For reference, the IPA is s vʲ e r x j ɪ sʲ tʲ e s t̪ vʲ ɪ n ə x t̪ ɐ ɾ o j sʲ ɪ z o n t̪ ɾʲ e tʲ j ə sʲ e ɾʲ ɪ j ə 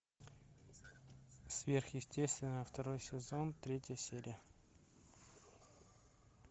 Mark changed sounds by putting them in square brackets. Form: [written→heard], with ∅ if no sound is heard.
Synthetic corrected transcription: s vʲ e r x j ɪ sʲ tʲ e s t̪ vʲ ɪ n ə [x→f] t̪ ɐ ɾ o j sʲ ɪ z o n t̪ ɾʲ e tʲ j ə sʲ e ɾʲ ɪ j ə